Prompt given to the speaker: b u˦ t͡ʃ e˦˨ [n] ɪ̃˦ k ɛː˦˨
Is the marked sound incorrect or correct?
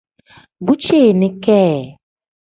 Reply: correct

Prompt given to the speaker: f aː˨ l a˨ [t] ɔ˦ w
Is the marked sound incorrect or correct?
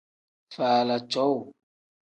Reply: incorrect: t͡ʃ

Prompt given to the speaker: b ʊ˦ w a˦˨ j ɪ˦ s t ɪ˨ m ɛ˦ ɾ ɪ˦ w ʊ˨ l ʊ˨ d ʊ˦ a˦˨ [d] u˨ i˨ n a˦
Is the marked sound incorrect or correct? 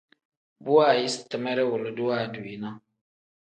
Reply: correct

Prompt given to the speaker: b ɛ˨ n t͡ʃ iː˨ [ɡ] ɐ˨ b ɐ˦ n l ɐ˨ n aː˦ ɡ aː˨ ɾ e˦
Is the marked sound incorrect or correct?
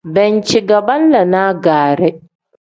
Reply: correct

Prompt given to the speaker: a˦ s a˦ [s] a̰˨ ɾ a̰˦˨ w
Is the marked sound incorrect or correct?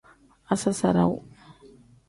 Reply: correct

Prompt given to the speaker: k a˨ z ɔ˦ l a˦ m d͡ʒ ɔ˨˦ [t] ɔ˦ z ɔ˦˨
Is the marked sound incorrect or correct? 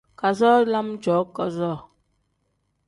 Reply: incorrect: k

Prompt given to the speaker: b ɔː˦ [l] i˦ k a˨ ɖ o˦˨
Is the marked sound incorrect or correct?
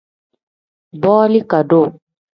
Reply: correct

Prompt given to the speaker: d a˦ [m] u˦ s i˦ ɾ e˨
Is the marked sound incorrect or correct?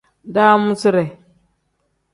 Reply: correct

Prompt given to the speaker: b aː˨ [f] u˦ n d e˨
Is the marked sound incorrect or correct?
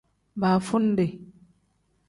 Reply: correct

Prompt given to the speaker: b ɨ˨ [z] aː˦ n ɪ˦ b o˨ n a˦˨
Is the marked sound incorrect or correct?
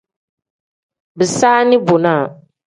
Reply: incorrect: s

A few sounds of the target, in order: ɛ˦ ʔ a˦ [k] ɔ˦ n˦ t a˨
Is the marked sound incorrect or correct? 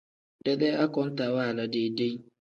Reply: correct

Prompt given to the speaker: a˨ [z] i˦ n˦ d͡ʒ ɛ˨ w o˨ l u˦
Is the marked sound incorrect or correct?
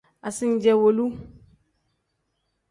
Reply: incorrect: s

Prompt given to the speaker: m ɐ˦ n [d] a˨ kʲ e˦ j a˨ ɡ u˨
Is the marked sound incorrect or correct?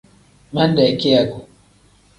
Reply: correct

